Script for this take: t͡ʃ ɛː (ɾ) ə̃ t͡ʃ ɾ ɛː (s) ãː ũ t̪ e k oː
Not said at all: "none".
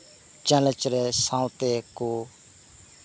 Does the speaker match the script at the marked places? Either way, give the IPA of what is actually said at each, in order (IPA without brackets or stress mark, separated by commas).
l, s